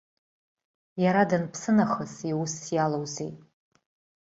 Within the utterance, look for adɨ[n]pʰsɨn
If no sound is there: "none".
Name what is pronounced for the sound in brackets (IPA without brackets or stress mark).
n